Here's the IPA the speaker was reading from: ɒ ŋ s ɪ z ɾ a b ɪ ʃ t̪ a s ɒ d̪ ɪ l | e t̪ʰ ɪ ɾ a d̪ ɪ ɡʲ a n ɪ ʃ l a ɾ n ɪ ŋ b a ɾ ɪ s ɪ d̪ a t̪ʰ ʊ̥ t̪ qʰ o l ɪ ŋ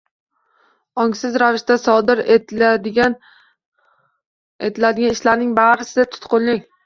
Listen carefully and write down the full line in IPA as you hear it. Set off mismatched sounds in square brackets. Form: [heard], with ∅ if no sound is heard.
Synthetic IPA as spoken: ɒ ŋ s ɪ z ɾ a [v] ɪ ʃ t̪ a s ɒ d̪ ɪ [ɾ] | e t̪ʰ ɪ [l] a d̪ ɪ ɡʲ a n ɪ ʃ l a ɾ n ɪ ŋ b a ɾ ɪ s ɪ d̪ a t̪ʰ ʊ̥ t̪ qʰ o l ɪ ŋ